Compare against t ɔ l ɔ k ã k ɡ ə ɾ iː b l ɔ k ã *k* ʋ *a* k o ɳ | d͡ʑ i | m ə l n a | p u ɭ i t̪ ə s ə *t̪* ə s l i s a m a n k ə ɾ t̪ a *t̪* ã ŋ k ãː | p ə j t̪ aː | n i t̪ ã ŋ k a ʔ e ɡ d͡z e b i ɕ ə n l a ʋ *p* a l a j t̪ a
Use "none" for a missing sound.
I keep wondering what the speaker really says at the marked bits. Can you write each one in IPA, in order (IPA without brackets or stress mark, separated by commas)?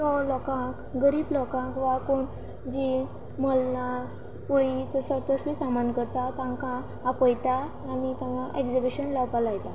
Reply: k, a, t̪, t̪, p